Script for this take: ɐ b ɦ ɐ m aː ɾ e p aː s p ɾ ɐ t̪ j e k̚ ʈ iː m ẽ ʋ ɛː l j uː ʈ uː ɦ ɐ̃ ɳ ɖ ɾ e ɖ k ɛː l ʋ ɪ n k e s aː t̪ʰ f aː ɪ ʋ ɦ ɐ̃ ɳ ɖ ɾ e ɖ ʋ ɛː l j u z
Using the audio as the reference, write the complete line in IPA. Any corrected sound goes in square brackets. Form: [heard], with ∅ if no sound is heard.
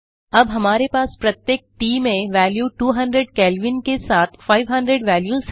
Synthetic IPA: ɐ b ɦ ɐ m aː ɾ e p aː s p ɾ ɐ t̪ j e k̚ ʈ iː m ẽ ʋ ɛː l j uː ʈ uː ɦ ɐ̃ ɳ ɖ ɾ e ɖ k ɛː l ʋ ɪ n k e s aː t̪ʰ f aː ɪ ʋ ɦ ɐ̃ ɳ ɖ ɾ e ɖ ʋ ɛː l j u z